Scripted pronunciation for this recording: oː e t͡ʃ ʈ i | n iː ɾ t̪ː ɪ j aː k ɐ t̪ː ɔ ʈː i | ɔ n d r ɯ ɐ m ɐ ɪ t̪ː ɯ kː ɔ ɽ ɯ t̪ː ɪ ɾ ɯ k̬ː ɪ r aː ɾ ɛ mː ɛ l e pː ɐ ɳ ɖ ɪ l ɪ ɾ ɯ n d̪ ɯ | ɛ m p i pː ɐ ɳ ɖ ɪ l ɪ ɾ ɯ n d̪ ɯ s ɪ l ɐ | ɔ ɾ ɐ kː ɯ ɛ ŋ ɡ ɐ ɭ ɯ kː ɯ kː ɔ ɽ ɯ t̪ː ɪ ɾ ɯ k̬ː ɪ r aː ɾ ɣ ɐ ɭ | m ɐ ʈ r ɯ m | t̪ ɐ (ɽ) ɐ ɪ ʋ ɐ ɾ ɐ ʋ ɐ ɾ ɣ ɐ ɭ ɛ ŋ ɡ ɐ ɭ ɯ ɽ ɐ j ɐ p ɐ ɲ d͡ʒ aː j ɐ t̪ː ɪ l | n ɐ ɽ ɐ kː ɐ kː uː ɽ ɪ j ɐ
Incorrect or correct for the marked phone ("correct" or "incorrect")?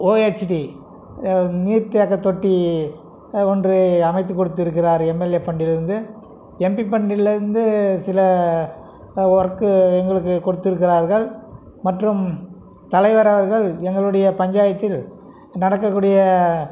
incorrect